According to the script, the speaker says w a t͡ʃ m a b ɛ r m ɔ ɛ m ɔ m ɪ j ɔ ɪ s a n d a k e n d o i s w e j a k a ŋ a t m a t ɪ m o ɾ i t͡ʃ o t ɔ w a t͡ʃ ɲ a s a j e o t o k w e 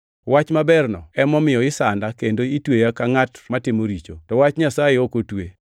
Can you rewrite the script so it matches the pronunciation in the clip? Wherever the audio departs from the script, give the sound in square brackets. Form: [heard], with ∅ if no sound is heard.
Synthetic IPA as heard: w a t͡ʃ m a b ɛ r [n] ɔ ɛ m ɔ m ɪ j ɔ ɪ s a n d a k e n d o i [t] w e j a k a ŋ a t m a t ɪ m o ɾ i t͡ʃ o t ɔ w a t͡ʃ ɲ a s a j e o [k] o [t] w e